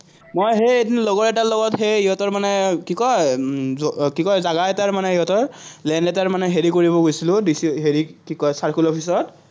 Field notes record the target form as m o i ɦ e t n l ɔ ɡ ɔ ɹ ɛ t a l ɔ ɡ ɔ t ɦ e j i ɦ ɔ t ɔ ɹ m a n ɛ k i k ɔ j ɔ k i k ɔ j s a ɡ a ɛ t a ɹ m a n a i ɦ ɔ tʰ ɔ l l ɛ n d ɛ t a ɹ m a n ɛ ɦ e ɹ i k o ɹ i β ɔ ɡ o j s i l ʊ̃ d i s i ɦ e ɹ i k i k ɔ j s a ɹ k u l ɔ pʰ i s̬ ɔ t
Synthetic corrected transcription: m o j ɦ e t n l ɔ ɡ ɔ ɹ ɛ t a l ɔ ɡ ɔ t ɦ e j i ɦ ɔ t ɔ ɹ m a n ɛ k i k ɔ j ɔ k i k ɔ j z a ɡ a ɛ t a ɹ m a n ɛ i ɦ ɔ t ɔ ɹ l ɛ n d ɛ t a ɹ m a n ɛ ɦ e ɹ i k o ɹ i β ɔ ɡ o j s i l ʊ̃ d i s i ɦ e ɹ i k i k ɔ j s a ɹ k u l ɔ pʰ i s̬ ɔ t